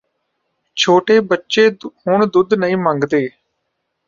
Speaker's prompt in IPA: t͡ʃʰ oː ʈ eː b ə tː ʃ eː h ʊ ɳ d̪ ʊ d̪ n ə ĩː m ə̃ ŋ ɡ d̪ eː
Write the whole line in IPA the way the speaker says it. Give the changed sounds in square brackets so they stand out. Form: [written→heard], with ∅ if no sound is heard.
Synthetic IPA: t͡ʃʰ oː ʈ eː b ə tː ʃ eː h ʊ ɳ d̪ ʊ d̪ n ə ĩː m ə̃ ŋ ɡ d̪ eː